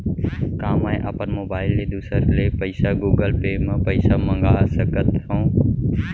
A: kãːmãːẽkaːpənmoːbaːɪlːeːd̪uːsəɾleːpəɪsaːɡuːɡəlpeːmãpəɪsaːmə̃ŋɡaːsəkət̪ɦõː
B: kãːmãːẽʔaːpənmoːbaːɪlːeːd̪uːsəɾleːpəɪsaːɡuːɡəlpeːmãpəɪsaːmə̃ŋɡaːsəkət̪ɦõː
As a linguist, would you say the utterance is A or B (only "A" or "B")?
B